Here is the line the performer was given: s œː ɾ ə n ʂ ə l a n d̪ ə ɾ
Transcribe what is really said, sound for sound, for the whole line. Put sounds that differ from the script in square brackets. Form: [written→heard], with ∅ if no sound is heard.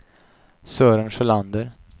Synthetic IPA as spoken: s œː ɾ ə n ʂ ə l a n d̪ ə ɾ